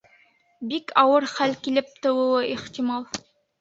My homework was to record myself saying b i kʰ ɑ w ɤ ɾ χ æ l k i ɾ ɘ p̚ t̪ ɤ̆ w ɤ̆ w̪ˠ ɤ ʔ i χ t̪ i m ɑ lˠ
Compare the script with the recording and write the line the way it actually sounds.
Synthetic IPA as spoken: b i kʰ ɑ w ɤ ɾ χ æ l k i l ɘ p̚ t̪ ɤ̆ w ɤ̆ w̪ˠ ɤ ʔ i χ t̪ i m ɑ lˠ